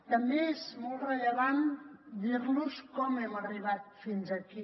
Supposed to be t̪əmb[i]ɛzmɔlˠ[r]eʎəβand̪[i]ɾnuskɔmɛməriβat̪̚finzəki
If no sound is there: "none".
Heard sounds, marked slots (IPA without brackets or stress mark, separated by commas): e, r, i